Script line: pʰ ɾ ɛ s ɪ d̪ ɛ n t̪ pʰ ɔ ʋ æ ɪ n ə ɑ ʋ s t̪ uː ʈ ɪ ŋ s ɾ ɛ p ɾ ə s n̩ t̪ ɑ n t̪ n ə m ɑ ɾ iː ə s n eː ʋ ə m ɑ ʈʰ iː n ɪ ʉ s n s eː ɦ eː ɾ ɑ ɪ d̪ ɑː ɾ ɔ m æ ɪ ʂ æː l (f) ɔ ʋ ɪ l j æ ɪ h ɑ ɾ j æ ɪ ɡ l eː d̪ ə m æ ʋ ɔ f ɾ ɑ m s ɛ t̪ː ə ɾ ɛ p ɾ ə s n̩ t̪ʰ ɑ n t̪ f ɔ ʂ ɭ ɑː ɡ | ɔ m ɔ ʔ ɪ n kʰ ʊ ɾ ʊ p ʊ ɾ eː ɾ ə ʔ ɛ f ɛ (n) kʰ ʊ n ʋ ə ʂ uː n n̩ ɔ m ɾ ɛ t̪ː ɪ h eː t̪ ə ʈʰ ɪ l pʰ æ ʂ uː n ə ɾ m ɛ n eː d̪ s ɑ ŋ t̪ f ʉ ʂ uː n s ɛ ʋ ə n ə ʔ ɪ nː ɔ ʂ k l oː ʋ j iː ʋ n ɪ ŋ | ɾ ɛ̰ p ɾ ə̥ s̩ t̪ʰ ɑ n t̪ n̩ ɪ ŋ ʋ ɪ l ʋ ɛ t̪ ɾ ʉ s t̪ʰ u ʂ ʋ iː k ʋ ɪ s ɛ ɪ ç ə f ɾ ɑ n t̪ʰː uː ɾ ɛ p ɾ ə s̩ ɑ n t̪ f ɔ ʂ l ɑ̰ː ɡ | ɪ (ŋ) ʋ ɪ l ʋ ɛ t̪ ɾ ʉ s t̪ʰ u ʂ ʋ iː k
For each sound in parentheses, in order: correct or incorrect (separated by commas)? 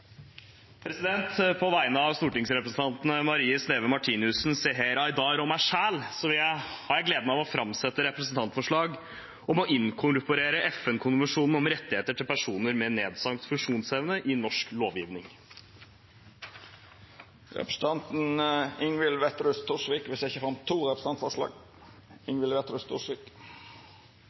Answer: incorrect, correct, correct